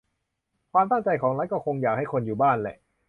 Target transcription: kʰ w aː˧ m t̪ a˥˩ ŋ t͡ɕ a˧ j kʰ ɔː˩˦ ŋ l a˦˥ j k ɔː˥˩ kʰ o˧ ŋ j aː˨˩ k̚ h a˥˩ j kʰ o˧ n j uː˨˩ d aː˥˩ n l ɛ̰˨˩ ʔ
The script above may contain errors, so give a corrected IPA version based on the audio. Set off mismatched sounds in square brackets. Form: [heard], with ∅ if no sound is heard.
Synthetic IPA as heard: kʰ w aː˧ m t̪ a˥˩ ŋ t͡ɕ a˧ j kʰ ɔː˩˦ ŋ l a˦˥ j k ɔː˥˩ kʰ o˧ ŋ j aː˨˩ k̚ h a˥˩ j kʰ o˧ n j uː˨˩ [b] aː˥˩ n l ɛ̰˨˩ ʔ